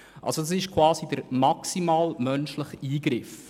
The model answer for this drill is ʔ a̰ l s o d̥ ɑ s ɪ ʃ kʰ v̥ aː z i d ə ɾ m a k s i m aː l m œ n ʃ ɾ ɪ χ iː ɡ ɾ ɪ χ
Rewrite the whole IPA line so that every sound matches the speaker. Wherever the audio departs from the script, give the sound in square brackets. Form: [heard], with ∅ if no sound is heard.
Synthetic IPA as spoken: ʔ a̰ l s o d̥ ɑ s ɪ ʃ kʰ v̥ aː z i d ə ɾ m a k s i m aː l m œ n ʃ [l] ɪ χ iː ɡ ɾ ɪ [f]